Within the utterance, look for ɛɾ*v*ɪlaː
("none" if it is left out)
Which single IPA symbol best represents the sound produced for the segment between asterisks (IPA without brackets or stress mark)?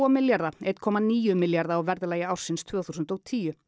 ð